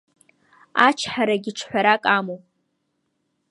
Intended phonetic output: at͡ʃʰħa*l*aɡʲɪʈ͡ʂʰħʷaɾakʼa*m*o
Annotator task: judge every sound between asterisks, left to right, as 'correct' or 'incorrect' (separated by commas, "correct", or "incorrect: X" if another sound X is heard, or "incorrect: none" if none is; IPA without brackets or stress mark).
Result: incorrect: ɾ, correct